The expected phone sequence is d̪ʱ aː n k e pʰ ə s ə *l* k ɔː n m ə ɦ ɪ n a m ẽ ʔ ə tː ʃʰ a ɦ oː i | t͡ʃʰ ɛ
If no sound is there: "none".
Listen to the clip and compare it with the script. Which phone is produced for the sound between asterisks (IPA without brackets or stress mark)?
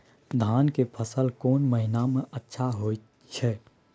l